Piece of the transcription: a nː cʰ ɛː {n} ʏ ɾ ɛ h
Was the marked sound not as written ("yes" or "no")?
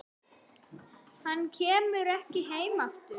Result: yes